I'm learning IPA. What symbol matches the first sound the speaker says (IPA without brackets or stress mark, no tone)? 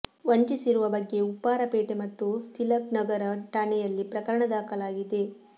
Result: ʋ